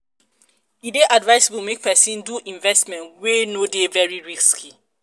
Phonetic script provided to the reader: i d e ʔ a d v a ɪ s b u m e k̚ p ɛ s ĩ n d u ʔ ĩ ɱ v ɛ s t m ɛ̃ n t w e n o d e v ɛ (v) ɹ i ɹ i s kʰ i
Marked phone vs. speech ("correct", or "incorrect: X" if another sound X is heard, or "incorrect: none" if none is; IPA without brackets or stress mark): incorrect: none